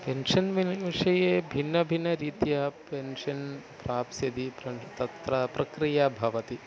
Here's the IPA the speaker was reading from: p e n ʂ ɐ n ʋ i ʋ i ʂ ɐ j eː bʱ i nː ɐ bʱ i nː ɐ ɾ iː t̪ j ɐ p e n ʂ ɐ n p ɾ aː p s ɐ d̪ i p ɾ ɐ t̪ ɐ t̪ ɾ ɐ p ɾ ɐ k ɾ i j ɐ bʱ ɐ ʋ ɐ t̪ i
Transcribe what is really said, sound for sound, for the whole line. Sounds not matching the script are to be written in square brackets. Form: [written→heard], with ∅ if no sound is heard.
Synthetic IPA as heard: p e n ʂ ɐ n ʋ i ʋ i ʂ ɐ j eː bʱ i nː ɐ bʱ i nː ɐ ɾ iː t̪ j ɐ p e n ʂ ɐ n p ɾ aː p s ɐ d̪ i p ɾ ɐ t̪ ɐ t̪ ɾ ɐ p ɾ ɐ k ɾ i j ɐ bʱ ɐ ʋ ɐ t̪ i